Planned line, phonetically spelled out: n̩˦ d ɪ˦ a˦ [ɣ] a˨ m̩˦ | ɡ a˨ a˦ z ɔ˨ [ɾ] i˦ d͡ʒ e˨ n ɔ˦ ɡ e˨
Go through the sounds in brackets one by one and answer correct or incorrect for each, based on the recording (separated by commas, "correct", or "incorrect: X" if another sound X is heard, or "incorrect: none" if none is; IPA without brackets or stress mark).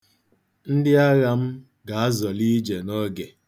correct, incorrect: l